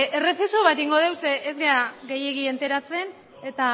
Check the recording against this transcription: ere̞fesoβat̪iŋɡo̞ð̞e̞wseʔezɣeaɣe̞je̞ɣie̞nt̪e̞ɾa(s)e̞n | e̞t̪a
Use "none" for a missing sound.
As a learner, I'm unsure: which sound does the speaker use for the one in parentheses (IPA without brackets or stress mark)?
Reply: t͡s